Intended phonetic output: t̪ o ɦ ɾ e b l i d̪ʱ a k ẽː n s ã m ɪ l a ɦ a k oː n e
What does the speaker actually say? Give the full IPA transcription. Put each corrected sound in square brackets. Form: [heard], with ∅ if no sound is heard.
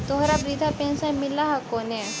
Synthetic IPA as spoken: t̪ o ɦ ɾ [a] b [ɾ] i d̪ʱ a [p] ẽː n s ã m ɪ l a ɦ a k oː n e